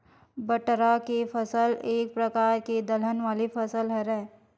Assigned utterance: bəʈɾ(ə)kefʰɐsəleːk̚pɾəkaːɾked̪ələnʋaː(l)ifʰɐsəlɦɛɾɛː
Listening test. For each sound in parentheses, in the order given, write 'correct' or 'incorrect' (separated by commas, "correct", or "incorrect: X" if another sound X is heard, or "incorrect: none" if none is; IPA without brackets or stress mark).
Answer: incorrect: a, correct